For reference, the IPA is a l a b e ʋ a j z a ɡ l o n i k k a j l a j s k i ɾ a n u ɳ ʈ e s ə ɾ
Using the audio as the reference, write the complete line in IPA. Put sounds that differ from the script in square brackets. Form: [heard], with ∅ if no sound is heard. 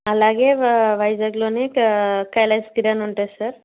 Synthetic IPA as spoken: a l a [ɡ] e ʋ a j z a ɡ l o n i k k a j l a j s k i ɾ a n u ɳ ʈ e s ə ɾ